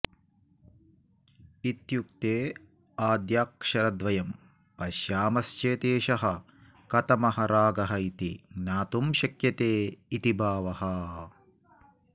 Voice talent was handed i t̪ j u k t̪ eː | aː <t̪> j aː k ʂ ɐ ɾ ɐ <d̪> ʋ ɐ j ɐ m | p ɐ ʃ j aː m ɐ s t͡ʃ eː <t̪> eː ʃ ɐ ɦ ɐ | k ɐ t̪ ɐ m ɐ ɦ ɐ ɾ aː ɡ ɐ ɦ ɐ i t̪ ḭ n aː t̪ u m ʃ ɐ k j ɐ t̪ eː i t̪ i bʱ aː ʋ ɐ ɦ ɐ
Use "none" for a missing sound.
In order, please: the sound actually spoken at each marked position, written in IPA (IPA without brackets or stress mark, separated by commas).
d̪, d̪, t̪